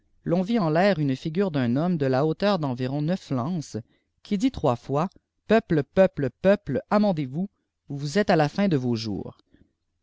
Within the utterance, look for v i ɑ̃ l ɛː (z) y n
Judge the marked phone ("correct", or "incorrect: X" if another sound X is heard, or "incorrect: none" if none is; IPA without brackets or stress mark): incorrect: ʁ